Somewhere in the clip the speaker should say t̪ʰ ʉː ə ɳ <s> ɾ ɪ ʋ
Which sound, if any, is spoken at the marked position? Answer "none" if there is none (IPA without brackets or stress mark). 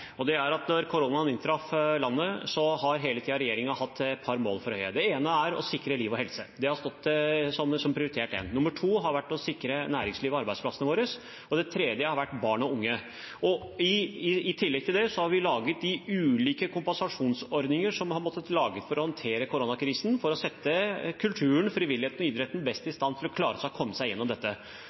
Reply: f